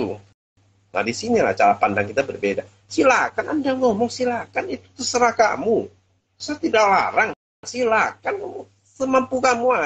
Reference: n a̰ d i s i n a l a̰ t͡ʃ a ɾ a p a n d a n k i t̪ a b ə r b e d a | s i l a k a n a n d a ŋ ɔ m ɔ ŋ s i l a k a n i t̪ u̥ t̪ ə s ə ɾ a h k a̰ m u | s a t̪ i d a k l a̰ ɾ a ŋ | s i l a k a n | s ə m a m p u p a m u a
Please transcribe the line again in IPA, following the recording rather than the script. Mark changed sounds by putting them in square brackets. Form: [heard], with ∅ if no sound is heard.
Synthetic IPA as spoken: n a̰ d i s i n [i] l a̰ t͡ʃ a ɾ a p a n d a [ŋ] k i t̪ a b ə r b e d a | s i l a k a n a n d a ŋ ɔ m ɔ ŋ s i l a k a n i t̪ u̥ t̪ ə s ə ɾ a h k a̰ m u | s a t̪ i d a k l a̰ ɾ a ŋ | s i l a k a n | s ə m a m p u [k] a m u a